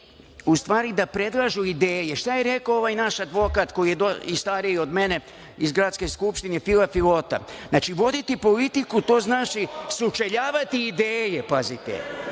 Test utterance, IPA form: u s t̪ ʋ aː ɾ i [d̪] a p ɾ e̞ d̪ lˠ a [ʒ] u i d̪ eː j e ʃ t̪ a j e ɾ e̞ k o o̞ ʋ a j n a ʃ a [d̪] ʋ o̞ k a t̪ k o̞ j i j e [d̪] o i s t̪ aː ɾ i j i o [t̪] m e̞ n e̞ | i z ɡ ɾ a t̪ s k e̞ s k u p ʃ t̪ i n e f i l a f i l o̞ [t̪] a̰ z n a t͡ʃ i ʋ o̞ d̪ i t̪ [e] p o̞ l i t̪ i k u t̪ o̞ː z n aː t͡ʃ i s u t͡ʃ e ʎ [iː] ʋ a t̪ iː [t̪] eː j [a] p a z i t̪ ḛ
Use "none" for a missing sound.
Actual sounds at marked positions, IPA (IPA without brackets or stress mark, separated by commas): d̪, ʒ, d̪, d̪, d̪, t̪, i, aː, d̪, e